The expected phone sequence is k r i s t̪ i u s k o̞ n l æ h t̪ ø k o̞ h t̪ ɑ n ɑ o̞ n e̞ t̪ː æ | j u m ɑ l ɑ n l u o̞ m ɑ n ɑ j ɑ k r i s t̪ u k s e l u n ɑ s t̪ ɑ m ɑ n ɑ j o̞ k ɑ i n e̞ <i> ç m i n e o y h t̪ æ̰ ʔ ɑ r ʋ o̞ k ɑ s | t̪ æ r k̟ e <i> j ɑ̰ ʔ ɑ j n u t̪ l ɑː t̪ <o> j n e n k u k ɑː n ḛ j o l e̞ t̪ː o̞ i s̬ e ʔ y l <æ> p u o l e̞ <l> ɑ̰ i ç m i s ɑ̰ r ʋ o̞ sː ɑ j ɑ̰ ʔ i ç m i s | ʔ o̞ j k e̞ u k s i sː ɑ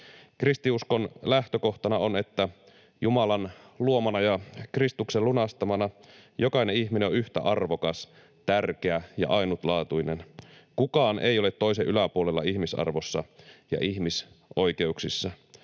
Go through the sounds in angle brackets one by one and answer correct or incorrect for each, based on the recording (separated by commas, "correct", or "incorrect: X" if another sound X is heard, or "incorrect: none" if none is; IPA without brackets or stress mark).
correct, incorrect: æ, incorrect: u, correct, incorrect: lː